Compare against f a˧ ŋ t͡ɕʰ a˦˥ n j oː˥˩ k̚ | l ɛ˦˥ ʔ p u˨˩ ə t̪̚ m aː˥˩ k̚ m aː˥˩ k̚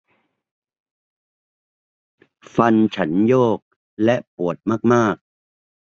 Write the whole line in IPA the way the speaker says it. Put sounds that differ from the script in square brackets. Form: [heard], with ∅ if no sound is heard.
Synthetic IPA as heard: f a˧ [n] t͡ɕʰ a˦˥ n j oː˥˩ k̚ | l ɛ˦˥ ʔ p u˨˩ ə t̪̚ m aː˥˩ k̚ m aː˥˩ k̚